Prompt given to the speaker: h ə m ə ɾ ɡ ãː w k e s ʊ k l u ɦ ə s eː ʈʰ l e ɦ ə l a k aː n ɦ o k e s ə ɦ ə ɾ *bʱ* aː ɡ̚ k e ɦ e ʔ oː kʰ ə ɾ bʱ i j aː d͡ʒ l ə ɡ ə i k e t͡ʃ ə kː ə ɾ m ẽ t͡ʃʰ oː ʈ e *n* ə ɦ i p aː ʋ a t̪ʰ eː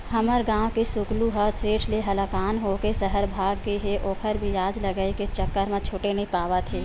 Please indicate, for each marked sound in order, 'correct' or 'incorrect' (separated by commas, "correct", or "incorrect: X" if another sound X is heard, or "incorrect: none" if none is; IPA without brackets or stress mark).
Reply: correct, correct